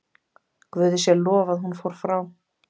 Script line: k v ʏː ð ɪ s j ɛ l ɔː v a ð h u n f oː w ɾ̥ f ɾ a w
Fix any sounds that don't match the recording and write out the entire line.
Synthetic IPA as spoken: k v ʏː ð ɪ s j ɛ l ɔː v a ð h u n f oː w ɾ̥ f ɾ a w